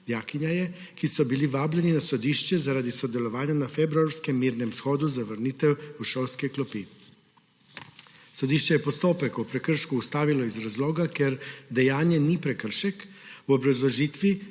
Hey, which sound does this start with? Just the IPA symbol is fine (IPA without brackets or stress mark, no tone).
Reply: d̪